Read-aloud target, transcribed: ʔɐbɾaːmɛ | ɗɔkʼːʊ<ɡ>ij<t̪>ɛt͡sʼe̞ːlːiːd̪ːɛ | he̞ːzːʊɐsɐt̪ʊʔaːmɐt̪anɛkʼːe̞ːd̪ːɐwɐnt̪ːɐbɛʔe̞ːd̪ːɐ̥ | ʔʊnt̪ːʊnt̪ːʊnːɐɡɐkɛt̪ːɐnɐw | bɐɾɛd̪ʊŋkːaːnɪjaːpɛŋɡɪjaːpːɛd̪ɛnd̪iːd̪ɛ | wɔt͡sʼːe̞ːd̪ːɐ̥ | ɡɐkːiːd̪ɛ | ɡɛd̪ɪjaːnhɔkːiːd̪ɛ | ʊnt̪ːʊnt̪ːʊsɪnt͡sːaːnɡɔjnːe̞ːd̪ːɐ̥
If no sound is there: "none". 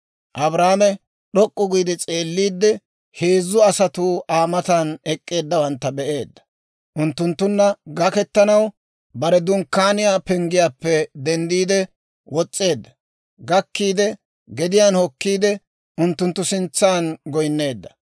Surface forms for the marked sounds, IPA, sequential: ɡ, d̪

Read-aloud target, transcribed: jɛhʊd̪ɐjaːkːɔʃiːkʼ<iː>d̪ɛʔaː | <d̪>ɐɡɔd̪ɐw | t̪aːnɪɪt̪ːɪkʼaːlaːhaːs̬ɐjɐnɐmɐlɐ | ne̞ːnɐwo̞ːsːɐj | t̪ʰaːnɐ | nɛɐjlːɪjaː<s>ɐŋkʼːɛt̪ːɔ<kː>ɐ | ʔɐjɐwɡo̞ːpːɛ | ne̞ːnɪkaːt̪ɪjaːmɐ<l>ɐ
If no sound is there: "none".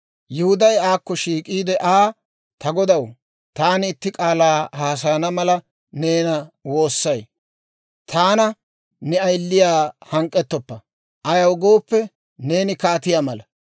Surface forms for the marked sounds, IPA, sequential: iː, t̪, h, pː, l

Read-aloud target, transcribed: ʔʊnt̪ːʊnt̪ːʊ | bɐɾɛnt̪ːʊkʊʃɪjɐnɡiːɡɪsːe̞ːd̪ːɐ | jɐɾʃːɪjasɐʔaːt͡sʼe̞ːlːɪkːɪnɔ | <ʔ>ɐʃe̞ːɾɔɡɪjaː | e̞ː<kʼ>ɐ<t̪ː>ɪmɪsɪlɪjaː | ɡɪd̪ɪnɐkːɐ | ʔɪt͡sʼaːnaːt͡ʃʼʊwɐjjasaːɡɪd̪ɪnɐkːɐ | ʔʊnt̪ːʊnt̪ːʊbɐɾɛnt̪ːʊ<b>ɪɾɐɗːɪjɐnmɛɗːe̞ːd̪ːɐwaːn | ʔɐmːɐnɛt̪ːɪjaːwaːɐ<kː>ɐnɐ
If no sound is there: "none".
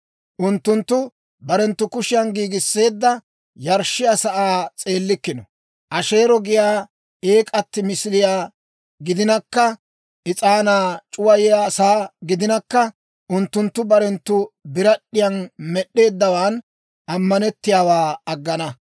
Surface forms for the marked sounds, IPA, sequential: ʔ, kʼ, t̪ː, b, ɡː

